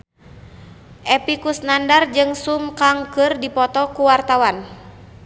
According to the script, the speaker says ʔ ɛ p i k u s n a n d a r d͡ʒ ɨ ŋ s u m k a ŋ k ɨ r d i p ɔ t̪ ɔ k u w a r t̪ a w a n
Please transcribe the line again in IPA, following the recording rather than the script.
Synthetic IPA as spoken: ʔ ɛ p i k u s n a n d a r d͡ʒ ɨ ŋ s u m k a ŋ k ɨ r d i p ɔ t̪ ɔ k u w a r t̪ a w a n